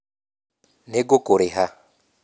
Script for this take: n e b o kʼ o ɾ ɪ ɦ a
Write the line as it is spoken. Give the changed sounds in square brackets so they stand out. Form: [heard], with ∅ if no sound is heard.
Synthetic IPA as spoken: n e [ɡ] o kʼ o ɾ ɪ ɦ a